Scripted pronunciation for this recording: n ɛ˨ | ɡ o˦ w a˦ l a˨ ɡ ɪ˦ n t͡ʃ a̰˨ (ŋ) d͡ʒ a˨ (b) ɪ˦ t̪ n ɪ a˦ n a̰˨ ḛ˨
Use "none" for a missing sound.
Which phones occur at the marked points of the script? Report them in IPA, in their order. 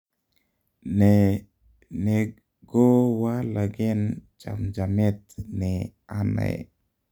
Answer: m, m

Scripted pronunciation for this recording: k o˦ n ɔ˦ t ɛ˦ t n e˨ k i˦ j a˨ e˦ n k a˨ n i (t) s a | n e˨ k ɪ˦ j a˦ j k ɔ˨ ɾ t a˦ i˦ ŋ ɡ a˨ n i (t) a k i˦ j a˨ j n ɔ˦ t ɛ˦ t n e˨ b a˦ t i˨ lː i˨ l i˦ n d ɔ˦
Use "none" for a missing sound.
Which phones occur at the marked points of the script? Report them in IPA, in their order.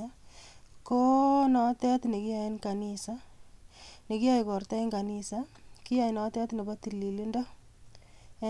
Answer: none, s

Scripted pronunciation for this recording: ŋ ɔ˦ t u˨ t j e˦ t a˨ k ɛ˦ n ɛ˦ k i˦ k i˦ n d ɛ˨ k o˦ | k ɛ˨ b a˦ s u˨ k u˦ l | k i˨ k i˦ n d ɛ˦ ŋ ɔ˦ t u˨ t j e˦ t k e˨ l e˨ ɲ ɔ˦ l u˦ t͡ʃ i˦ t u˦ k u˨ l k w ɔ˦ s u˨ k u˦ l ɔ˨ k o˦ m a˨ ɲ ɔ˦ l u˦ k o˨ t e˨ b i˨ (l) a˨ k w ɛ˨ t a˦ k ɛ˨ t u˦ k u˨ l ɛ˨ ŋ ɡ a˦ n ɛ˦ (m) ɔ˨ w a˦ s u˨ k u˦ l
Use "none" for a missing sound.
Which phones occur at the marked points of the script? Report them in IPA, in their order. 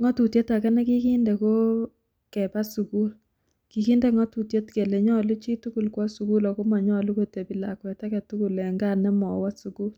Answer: l, m

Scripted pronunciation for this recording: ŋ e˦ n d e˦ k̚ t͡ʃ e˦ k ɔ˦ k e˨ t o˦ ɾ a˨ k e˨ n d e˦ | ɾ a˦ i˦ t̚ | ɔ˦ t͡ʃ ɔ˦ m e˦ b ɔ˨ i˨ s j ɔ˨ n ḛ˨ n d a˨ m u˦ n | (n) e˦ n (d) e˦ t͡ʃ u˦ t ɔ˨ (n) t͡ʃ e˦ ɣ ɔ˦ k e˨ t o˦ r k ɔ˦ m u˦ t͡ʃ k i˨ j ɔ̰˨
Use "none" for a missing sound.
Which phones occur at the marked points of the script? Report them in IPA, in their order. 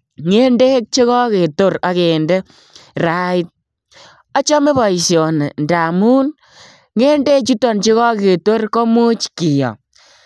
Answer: ŋ, d, n

